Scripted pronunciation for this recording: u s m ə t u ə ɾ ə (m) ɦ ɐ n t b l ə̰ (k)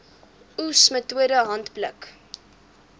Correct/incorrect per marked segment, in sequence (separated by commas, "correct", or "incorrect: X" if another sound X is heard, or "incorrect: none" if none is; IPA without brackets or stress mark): incorrect: none, correct